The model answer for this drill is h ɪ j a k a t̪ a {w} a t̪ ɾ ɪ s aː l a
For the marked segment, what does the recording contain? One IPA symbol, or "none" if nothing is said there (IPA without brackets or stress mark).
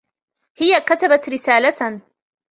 b